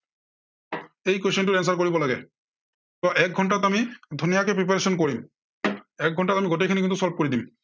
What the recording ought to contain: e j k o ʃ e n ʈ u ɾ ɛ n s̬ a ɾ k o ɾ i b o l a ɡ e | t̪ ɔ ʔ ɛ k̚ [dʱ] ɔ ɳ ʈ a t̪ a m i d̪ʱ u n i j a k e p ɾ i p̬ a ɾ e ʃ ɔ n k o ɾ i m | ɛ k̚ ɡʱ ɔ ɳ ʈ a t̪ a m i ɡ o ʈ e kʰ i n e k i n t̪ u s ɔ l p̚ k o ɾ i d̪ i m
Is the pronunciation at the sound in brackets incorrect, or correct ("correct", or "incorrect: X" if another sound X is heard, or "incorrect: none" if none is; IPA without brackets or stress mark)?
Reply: incorrect: ɡʱ